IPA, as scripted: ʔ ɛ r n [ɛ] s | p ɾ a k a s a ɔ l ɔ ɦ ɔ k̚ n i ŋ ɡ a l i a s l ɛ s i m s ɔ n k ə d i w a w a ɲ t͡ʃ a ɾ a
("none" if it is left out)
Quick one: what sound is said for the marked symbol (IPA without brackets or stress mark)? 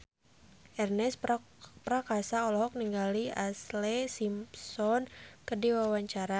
ɛ